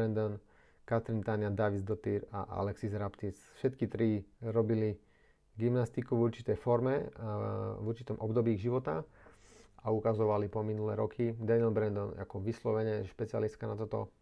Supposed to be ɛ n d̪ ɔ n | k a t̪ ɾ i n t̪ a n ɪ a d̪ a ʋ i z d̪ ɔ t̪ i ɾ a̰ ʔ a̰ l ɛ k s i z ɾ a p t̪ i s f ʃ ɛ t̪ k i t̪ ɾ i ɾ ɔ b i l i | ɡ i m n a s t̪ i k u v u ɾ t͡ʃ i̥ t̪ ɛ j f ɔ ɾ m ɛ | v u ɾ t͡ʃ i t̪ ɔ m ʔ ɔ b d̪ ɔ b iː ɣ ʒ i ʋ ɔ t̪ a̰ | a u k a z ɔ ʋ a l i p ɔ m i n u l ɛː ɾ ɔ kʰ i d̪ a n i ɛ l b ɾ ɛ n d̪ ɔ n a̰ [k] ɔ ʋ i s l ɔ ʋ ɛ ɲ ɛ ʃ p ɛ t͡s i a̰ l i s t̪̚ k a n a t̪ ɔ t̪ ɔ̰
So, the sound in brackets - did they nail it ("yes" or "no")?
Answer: yes